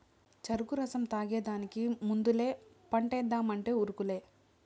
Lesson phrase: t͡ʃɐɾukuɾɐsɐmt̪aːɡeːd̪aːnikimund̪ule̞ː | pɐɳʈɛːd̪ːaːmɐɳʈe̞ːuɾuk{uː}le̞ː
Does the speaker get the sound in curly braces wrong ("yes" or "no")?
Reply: yes